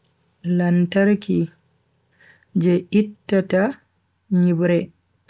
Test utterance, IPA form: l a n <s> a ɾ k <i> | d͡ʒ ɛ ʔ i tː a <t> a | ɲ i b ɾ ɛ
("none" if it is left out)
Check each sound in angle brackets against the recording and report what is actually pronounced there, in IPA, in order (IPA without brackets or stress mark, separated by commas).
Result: t, i, t